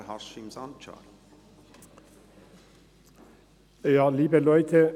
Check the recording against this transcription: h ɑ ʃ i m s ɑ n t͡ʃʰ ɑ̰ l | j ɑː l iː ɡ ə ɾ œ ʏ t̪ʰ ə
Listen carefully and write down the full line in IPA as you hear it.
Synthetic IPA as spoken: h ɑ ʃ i m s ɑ n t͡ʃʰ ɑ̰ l | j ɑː l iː b ə l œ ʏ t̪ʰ ə